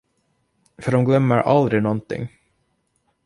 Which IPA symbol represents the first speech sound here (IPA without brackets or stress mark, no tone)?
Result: f